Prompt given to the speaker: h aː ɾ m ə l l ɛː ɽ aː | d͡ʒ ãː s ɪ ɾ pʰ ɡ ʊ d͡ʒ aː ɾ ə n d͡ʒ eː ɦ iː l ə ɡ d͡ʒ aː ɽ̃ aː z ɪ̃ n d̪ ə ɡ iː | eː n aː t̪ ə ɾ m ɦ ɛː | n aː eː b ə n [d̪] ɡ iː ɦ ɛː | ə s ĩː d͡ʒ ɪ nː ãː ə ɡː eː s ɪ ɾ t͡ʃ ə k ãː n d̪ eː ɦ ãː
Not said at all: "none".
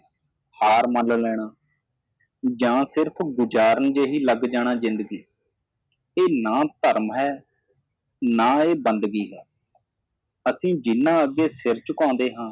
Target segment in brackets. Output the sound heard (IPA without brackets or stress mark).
d̪